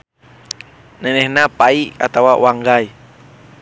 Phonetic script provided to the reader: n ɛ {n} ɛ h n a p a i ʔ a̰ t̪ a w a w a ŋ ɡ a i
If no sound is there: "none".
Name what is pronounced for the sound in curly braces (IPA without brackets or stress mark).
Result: n